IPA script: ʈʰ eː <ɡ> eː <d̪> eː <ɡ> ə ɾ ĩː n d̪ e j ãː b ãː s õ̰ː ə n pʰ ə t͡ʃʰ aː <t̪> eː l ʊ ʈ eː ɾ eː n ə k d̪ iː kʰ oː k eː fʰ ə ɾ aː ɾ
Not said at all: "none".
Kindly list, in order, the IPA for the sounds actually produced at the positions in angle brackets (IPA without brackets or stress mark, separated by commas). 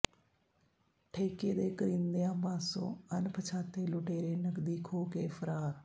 k, d̪, k, t̪